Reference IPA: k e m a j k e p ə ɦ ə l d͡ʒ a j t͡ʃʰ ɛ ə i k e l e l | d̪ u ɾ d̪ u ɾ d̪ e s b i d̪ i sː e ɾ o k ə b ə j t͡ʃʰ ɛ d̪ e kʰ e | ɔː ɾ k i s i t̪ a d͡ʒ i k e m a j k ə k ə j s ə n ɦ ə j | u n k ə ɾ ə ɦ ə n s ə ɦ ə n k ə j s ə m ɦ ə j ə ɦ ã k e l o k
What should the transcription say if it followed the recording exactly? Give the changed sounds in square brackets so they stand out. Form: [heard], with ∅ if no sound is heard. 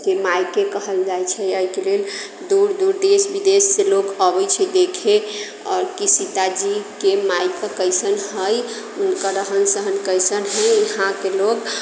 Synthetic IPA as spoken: k e m a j k e [k] ə ɦ ə l d͡ʒ a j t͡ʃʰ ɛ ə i k e l e l | d̪ u ɾ d̪ u ɾ d̪ e s b i d̪ [e] sː e [l] o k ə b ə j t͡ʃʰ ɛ d̪ e kʰ e | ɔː ɾ k i s i t̪ a d͡ʒ i k e m a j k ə k ə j s ə n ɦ ə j | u n k ə ɾ ə ɦ ə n s ə ɦ ə n k ə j s ə [n] ɦ ə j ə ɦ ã k e l o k